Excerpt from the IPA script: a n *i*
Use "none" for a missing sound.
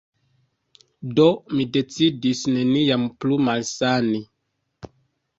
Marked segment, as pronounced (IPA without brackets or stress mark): i